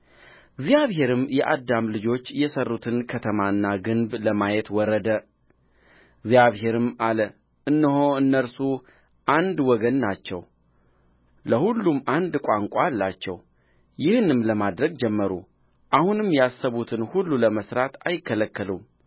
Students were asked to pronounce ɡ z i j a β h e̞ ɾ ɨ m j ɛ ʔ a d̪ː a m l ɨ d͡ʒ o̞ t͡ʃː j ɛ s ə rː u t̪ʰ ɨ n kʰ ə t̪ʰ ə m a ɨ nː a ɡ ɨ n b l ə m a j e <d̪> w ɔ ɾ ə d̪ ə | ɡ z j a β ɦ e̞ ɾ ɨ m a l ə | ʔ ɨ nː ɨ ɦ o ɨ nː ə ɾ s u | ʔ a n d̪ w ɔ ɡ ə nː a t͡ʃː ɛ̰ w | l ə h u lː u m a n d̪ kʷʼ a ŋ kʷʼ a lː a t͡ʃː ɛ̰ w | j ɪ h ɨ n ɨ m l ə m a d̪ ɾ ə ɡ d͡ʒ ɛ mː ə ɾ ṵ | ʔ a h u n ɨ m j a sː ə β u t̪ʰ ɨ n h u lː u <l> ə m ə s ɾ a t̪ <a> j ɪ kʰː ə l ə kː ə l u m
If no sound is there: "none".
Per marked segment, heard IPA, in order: t̪, l, a

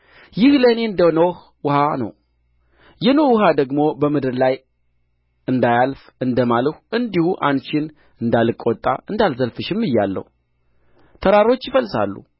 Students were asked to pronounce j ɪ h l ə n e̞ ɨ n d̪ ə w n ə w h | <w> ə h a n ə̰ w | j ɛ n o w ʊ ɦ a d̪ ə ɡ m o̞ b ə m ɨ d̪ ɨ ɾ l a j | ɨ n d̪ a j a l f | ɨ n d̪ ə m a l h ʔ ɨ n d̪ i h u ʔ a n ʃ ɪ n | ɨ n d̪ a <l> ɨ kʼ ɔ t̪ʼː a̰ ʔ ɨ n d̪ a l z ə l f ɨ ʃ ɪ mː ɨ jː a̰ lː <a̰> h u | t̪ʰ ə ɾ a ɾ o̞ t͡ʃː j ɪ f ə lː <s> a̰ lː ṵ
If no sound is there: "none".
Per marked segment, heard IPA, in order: w, l, ə̰, s

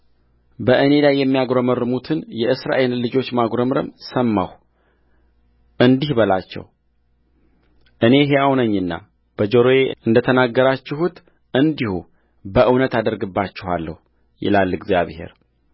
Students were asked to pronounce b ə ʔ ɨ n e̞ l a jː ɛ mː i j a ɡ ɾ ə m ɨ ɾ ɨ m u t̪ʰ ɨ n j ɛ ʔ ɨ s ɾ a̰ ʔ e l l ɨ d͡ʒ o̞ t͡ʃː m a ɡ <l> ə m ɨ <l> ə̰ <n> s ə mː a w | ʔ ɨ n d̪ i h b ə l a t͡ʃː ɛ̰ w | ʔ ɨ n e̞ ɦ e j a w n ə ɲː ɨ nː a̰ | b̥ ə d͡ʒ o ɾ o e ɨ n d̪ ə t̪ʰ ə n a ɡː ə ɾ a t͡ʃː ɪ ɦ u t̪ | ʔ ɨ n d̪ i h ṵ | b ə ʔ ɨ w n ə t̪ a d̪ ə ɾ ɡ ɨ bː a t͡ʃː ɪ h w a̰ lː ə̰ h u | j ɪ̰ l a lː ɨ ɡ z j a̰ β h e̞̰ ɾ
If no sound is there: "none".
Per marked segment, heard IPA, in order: ɾ, ɾ, m

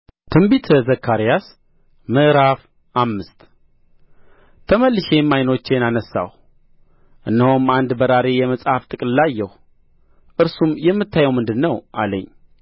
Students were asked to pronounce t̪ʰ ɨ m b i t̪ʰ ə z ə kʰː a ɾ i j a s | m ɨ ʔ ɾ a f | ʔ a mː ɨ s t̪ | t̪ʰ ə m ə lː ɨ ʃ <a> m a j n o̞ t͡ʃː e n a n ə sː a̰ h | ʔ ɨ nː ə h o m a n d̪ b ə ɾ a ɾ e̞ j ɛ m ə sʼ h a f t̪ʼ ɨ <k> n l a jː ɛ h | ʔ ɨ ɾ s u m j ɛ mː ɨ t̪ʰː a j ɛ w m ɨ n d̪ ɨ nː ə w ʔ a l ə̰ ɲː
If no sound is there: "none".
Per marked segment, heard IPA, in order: e, kʼ

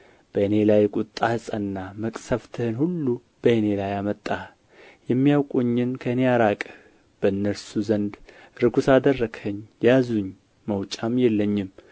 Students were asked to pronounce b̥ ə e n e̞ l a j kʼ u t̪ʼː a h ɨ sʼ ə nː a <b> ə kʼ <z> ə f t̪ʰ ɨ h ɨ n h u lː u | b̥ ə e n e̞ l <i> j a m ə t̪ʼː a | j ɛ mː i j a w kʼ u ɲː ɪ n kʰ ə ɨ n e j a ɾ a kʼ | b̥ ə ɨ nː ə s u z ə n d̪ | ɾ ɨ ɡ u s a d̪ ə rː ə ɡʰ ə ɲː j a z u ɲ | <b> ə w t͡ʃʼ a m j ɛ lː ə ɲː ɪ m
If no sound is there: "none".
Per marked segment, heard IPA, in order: m, s, a, m

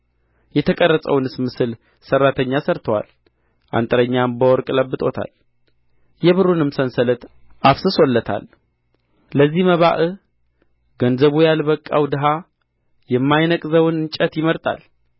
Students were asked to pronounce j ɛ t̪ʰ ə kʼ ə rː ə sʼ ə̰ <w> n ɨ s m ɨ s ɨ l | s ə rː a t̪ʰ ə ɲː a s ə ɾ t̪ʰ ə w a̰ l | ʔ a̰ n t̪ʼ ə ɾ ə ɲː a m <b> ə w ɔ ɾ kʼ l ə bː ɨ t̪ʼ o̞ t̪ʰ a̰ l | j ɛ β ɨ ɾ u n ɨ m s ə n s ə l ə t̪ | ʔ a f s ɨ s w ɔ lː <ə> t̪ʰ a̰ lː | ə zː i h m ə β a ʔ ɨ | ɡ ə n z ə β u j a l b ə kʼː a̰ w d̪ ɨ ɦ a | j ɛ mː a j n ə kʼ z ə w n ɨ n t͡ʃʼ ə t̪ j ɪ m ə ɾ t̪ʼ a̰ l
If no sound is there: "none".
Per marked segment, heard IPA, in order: w, b, ə

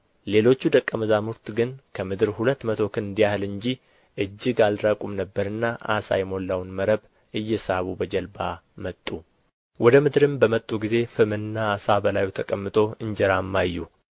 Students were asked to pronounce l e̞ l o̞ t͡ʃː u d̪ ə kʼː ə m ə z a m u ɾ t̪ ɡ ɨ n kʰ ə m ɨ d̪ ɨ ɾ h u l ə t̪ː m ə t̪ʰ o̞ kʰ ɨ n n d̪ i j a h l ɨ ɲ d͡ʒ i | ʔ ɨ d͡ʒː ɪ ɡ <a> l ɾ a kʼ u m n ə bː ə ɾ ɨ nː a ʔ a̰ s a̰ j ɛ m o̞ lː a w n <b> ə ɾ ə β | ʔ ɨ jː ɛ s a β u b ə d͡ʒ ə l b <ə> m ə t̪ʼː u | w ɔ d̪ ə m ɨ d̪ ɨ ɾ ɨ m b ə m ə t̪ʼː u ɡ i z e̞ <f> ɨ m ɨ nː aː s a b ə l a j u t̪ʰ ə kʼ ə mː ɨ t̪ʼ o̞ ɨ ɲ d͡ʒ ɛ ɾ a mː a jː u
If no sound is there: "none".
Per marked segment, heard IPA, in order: a, m, a, f

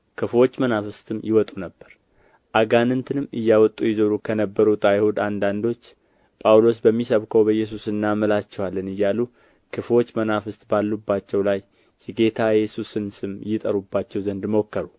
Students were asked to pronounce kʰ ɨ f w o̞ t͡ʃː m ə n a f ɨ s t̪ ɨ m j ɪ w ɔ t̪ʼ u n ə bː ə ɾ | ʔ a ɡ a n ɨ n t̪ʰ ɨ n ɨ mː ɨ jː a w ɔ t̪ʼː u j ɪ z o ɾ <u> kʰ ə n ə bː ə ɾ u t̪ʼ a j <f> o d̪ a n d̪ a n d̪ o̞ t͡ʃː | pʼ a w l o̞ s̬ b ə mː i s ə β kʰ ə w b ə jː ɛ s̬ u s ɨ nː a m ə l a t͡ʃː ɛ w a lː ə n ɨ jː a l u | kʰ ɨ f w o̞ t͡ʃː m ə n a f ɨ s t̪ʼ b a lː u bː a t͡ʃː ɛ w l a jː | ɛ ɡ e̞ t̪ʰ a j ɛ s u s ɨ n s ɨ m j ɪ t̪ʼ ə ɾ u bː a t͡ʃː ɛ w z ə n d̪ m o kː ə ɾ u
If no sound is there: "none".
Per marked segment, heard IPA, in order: u, h

